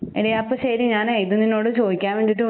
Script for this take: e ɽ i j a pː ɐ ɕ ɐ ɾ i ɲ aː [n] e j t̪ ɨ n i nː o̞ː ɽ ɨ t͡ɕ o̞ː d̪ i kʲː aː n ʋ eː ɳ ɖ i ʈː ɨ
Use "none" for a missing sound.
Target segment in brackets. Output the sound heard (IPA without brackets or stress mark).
n